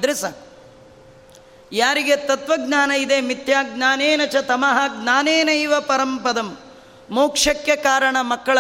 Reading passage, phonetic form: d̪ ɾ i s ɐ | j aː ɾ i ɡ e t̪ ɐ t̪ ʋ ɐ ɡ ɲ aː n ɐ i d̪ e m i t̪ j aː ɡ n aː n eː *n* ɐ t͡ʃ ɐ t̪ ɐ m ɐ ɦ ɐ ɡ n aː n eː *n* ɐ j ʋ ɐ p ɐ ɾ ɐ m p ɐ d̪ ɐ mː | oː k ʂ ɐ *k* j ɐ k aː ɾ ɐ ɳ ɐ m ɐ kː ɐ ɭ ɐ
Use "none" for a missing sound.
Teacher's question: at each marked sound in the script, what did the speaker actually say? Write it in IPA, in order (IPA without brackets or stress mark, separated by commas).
n, n, k